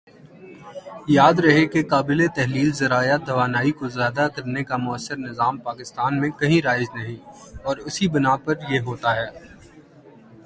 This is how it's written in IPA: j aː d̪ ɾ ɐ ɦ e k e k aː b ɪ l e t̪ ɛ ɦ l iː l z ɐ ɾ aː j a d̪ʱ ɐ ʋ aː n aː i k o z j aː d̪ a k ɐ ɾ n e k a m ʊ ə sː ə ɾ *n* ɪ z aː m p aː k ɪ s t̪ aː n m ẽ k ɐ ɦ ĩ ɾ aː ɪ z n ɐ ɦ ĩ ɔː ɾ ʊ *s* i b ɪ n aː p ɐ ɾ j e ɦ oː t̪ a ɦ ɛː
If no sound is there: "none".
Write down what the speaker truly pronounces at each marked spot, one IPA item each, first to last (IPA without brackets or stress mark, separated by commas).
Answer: n, s